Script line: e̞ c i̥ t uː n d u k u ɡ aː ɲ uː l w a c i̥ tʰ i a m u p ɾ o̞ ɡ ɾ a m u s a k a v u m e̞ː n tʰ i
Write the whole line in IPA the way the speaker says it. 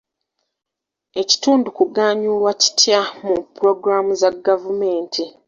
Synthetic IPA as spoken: e̞ c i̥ t uː n d u k u ɡ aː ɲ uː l w a c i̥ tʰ j a m u p ɾ o̞ ɡ ɾ a m u z a ɡ a v u m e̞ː n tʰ i

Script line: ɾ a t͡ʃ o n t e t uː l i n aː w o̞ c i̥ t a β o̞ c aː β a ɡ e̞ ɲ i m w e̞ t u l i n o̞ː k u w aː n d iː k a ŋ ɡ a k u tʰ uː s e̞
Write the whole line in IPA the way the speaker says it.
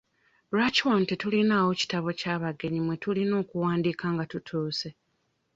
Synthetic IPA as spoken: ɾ a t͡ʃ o n t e t u l i n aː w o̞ c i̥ t a β o̞ c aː β a ɡ e̞ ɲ i m w e̞ t u l i n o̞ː k u w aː n d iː k a ŋ ɡ a t u tʰ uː s e̞

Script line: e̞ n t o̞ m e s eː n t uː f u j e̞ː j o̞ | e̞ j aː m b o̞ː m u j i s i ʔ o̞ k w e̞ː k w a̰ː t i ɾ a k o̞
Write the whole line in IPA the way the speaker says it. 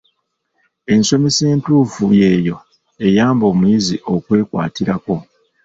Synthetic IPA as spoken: e̞ n s o̞ m e s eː n t uː f u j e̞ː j o̞ | e̞ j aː m b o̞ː m u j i z i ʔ o̞ k w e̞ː k w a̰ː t i ɾ a k o̞

